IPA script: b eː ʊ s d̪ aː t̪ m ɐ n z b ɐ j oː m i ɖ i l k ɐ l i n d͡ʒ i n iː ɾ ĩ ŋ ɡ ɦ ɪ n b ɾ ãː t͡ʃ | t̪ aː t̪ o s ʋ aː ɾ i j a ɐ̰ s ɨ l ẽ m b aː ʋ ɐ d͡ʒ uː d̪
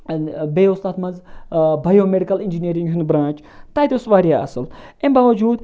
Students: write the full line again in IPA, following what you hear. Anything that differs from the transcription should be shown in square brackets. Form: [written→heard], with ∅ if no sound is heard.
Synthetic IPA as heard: b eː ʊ s [d̪→t̪] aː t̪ m ɐ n z b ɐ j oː m [i→e] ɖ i [l→∅] k ɐ l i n d͡ʒ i n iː ɾ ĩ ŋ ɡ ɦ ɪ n b ɾ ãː t͡ʃ | t̪ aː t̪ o s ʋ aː ɾ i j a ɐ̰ s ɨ l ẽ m b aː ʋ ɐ d͡ʒ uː d̪

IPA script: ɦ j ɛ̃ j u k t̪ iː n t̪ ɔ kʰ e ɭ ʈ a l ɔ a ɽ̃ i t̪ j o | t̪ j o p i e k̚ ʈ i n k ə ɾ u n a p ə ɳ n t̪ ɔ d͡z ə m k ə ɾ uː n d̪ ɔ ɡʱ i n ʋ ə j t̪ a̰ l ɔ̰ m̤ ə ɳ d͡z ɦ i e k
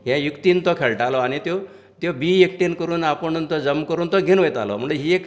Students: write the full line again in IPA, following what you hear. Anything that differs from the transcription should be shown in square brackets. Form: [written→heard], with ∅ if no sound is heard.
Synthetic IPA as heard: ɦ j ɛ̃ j u k t̪ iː n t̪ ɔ kʰ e ɭ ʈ a l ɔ a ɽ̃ i t̪ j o | t̪ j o [p→b] i e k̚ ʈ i n k ə ɾ [u→uː] n a p ə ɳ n t̪ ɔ d͡z ə m k ə ɾ uː n [d̪→t̪] ɔ ɡʱ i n ʋ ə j t̪ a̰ l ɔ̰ m̤ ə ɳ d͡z ɦ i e k

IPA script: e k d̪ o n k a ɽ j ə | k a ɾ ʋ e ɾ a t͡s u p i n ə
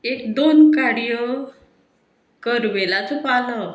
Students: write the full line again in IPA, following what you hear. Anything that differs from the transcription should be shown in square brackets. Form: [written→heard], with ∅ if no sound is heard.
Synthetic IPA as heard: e k d̪ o n k a ɽ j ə | k [a→ə] ɾ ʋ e [ɾ→l] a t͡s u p [i→a] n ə

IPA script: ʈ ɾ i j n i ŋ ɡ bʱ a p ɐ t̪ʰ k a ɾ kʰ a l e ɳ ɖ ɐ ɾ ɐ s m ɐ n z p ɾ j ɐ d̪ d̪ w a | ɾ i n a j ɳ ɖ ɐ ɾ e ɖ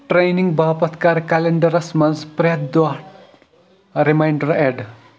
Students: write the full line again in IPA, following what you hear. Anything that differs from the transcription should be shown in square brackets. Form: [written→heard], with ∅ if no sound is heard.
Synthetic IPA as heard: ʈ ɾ [i→e] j n i ŋ ɡ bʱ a p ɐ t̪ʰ k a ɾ [kʰ→k] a l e ɳ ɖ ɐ ɾ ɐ s m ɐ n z p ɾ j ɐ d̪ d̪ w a | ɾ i [n→m] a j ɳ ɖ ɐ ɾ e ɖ

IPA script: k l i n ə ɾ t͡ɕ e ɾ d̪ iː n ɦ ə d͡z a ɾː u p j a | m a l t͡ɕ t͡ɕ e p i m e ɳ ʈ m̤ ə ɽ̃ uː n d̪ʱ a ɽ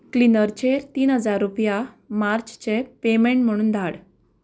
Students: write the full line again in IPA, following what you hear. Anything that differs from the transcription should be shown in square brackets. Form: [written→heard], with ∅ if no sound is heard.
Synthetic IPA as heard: k l i n ə ɾ t͡ɕ e ɾ [d̪→t̪] iː n ɦ ə d͡z a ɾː u p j a | m a [l→ɾ] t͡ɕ t͡ɕ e p [i→e] m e ɳ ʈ m̤ ə ɽ̃ uː n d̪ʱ a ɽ

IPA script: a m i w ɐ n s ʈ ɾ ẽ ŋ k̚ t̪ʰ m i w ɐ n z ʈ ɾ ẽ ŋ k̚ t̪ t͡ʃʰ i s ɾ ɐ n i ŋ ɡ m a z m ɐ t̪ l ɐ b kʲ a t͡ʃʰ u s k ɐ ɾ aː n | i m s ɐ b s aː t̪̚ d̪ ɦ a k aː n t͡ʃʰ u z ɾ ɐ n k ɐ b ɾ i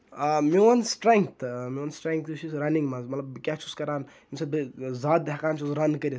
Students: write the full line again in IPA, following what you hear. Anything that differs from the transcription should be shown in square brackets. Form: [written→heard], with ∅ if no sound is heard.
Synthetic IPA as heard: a m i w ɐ n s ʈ ɾ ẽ ŋ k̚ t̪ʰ m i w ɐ n [z→s] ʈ ɾ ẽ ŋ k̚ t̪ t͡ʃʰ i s ɾ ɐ n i ŋ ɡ m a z m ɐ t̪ l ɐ b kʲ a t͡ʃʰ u s k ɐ ɾ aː n | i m s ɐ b [s→z] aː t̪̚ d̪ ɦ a k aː n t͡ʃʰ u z ɾ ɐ n k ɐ [b→∅] ɾ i

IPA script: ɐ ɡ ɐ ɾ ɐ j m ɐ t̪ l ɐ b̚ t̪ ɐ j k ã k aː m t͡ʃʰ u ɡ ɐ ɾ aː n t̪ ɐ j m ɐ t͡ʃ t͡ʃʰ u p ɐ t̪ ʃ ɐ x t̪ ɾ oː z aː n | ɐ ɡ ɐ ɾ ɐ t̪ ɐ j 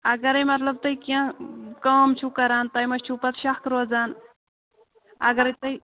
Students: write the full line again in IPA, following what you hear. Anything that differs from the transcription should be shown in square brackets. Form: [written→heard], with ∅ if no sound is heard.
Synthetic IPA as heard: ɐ ɡ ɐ ɾ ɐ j m ɐ t̪ l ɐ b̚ t̪ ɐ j k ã k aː m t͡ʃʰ u [ɡ→k] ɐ ɾ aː n t̪ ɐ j m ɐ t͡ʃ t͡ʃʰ u p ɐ t̪ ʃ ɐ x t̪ ɾ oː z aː n | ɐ ɡ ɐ ɾ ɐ t̪ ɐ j

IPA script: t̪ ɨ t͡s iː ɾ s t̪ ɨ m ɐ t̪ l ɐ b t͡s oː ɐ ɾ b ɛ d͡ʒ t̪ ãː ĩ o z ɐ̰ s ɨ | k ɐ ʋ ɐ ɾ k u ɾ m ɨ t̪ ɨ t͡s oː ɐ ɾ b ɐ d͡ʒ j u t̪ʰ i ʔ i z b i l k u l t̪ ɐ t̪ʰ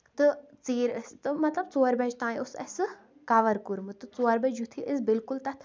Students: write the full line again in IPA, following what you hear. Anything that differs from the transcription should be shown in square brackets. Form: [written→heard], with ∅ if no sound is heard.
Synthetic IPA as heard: t̪ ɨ t͡s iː ɾ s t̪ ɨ m ɐ t̪ l ɐ b t͡s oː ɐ ɾ b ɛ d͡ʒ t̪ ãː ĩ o [z→s] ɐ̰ s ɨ | k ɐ ʋ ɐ ɾ k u ɾ m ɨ t̪ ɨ t͡s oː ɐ ɾ b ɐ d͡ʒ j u t̪ʰ i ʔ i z b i l k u l t̪ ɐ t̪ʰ

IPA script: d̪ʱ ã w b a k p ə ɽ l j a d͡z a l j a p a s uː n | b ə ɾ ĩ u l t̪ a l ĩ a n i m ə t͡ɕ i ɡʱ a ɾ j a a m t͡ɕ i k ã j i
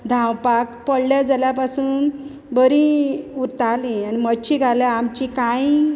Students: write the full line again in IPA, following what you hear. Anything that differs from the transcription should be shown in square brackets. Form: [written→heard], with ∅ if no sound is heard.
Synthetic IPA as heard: d̪ʱ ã w [b→p] a k p ə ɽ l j a d͡z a l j a p a s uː n | b ə ɾ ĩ u [l→ɾ] t̪ a l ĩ a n i m ə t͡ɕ i ɡʱ a [ɾ→l] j a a m t͡ɕ i k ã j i

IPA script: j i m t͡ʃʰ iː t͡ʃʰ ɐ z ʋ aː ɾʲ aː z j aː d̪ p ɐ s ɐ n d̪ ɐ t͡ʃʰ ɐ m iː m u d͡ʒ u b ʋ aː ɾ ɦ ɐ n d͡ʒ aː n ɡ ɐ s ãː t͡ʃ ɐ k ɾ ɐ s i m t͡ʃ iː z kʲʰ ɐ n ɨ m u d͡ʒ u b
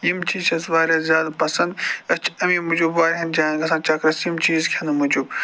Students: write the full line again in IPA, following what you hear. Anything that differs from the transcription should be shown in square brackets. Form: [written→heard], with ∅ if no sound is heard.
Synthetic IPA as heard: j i m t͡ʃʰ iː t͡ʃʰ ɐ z ʋ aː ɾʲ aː z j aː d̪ p ɐ s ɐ n d̪ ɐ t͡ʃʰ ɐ m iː m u d͡ʒ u b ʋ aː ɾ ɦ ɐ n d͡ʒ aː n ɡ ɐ s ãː t͡ʃ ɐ k ɾ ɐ s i m t͡ʃ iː z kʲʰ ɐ n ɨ m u d͡ʒ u b

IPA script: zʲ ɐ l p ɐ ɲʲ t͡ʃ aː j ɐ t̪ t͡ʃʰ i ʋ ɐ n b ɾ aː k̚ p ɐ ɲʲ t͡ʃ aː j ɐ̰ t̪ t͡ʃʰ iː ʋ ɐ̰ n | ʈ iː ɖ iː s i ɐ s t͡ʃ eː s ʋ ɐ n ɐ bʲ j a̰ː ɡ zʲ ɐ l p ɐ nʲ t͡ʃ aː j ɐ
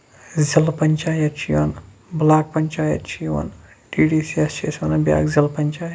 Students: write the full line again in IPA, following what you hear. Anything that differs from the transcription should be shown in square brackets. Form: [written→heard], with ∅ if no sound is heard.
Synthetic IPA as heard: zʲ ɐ l p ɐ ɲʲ t͡ʃ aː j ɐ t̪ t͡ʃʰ i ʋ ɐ n b [ɾ→l] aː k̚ p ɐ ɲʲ t͡ʃ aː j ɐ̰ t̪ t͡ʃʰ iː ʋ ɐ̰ n | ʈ iː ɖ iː s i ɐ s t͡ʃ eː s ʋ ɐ n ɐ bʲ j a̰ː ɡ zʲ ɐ l p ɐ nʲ t͡ʃ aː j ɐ

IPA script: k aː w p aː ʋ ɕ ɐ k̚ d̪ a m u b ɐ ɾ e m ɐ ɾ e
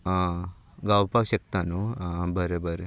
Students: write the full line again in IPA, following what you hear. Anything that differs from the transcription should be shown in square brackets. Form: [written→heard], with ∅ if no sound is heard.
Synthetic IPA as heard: [k→ɡ] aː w p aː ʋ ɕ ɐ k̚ [d̪→t̪] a [m→n] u b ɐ ɾ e [m→b] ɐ ɾ e

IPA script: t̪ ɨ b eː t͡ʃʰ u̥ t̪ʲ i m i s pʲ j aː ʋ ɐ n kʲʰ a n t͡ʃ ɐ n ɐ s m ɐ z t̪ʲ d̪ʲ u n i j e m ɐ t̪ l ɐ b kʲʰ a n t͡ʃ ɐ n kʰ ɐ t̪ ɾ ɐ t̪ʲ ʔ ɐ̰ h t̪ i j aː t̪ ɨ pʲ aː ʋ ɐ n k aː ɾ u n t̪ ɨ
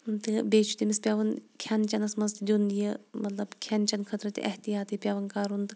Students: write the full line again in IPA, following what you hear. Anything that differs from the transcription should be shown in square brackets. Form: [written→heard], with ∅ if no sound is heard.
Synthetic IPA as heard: t̪ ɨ b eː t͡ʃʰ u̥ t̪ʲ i m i s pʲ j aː ʋ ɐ n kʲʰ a n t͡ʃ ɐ n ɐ s m ɐ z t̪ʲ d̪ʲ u n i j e m ɐ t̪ l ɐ b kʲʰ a n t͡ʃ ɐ n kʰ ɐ t̪ ɾ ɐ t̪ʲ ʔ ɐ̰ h t̪ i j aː t̪ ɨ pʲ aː ʋ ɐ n k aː ɾ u n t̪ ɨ

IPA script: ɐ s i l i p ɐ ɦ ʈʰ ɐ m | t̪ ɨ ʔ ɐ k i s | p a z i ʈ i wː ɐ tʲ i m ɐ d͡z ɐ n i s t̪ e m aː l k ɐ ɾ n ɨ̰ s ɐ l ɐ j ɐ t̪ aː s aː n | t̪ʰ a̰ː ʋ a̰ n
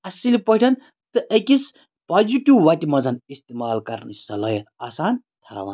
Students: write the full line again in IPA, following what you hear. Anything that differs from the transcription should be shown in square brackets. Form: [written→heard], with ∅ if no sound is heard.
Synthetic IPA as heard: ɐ s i l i p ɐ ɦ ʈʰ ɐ [m→n] | t̪ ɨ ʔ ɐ k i s | p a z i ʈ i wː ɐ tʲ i m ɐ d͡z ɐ n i s t̪ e m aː l k ɐ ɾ n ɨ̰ s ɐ l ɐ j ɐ t̪ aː s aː n | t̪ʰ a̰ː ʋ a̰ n

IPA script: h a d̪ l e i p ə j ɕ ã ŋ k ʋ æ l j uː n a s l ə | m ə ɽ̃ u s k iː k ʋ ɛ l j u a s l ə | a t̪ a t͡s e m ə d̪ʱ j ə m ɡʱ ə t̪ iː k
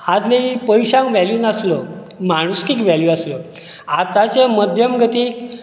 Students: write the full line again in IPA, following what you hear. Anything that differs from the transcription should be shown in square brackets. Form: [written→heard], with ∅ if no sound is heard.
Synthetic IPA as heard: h a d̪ l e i p ə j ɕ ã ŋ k ʋ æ l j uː n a s l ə | m [ə→a] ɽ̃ u s k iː k ʋ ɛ l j u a s l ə | a t̪ a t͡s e m ə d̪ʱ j ə m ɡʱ ə t̪ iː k

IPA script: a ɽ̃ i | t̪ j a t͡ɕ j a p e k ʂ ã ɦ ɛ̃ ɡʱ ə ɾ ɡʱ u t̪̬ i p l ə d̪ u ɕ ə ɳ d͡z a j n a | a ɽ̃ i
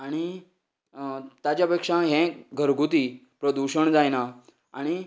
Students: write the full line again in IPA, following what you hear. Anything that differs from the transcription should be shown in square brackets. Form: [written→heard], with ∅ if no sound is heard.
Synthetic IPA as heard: a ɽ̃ i | t̪ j a t͡ɕ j a p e k ʂ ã ɦ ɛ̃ ɡʱ ə ɾ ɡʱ u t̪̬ i p [l→ɾ] ə d̪ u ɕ ə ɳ d͡z a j n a | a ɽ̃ i

